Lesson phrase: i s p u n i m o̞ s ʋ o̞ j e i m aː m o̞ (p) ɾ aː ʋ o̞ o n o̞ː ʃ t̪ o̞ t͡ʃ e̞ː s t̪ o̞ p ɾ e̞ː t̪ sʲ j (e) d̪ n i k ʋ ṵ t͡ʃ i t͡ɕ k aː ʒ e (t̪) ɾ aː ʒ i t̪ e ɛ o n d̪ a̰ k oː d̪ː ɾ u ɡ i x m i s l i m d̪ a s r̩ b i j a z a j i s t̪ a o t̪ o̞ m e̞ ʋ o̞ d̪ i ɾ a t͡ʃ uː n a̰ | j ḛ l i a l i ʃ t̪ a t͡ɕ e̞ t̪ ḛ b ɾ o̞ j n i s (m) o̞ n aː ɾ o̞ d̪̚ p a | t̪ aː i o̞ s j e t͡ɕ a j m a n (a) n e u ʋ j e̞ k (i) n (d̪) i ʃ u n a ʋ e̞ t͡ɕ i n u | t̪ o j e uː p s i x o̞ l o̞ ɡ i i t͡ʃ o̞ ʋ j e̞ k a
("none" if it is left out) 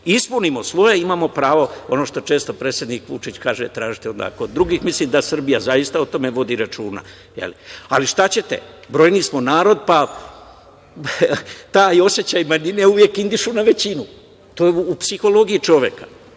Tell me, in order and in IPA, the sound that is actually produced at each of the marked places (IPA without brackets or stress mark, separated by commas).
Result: p, e, t̪, m, i, i, d̪